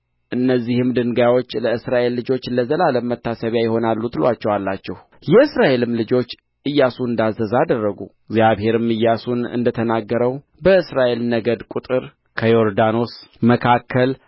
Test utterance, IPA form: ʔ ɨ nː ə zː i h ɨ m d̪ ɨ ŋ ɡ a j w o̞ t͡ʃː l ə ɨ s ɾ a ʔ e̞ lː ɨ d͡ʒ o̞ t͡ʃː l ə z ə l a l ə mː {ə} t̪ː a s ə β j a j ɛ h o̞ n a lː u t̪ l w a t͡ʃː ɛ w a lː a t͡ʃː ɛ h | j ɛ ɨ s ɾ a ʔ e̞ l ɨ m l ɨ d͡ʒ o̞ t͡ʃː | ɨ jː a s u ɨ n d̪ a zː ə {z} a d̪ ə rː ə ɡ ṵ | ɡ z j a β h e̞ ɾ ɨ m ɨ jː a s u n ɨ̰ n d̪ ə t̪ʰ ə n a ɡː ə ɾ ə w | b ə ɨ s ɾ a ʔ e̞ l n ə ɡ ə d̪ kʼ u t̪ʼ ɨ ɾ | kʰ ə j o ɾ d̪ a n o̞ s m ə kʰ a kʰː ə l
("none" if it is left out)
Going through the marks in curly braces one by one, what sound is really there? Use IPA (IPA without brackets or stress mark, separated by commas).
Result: ə, z